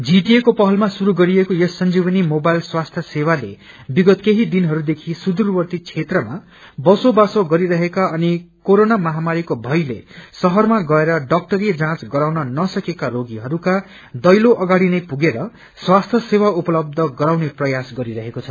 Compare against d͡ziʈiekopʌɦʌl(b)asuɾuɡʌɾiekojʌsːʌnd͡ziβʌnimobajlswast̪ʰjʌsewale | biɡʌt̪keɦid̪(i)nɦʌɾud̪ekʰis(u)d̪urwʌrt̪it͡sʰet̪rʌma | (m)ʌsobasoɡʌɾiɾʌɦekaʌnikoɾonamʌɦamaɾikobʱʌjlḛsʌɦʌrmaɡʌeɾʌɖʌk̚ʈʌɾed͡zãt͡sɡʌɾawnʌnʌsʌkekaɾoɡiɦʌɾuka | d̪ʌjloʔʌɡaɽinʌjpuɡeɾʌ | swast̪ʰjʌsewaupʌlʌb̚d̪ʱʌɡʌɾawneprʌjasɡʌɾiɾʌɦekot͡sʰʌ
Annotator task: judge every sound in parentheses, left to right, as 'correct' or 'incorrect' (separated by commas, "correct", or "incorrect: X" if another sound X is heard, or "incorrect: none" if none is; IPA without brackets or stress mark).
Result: incorrect: m, correct, correct, incorrect: b